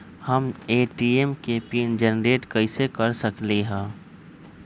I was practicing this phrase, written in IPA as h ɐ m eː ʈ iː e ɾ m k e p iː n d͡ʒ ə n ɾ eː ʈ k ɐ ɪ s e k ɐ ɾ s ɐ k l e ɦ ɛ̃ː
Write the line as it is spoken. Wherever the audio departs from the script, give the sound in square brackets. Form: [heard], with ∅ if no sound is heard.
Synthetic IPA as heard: h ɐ m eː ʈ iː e [∅] m k e p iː n d͡ʒ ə n ɾ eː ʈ k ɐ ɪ s e k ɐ ɾ s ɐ k l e ɦ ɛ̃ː

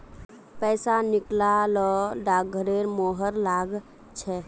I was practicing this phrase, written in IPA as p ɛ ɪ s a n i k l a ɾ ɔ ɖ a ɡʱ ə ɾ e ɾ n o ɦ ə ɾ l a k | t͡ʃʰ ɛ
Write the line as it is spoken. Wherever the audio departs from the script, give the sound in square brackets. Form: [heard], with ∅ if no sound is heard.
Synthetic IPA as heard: p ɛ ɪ s a n i k l a [l] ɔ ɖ a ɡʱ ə ɾ e ɾ [m] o ɦ ə ɾ l a [ɡ] | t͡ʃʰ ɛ

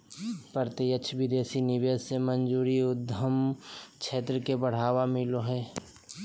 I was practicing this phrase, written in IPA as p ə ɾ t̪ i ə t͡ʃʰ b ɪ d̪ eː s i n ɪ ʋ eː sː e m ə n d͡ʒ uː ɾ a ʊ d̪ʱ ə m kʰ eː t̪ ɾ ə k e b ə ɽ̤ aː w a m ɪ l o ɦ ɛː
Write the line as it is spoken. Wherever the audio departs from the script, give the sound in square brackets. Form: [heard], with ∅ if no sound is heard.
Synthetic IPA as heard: p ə ɾ t̪ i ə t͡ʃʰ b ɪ d̪ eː s i n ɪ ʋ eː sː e m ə n d͡ʒ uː ɾ [i] ʊ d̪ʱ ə m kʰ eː t̪ ɾ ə k e b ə ɽ̤ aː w a m ɪ l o ɦ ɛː

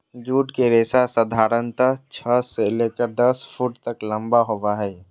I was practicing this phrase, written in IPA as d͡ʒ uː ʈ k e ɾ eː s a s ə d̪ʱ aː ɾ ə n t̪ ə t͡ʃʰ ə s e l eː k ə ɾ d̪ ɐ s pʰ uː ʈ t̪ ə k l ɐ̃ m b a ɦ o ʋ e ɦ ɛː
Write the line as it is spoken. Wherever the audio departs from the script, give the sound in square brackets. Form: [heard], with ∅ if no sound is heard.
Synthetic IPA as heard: d͡ʒ uː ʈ k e ɾ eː s a s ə d̪ʱ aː ɾ ə n t̪ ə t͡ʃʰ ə s e l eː k ə ɾ d̪ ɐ s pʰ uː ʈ t̪ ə k l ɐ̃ m b a ɦ o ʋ [a] ɦ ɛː

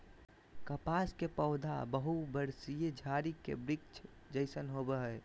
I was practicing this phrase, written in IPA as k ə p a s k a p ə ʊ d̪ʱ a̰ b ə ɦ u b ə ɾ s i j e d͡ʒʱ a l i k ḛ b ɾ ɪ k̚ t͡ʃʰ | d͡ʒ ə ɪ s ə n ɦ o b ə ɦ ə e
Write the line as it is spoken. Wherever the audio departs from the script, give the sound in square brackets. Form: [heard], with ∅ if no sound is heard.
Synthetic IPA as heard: k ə p a s k [e] p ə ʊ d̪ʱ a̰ b ə ɦ u b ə ɾ s i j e d͡ʒʱ a [ɾ] i k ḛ b ɾ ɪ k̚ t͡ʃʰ | d͡ʒ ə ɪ s ə n ɦ o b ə ɦ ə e

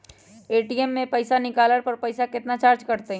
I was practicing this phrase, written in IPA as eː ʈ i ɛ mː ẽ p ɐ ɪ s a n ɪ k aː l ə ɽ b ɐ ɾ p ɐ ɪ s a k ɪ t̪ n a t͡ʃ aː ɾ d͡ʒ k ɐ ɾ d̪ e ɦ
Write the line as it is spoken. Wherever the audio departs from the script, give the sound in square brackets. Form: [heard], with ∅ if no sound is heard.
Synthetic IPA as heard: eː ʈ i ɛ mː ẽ p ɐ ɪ s a n ɪ k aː l ə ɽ [p] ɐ ɾ p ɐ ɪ s a k ɪ t̪ n a t͡ʃ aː ɾ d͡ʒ k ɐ ɾ [t̪] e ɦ

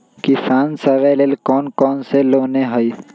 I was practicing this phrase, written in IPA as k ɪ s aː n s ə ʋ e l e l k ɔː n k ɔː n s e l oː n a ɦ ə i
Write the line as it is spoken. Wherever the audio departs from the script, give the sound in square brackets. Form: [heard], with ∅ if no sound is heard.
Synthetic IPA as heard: k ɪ s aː n s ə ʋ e l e l k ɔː n k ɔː n s e l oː n [e] ɦ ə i

